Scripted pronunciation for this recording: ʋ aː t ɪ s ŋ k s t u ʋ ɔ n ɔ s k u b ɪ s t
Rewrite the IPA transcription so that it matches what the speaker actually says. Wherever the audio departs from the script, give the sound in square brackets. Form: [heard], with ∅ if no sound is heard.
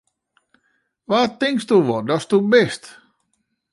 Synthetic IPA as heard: ʋ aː t ɪ [∅] ŋ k s t u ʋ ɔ [d] ɔ s [t] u b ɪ s t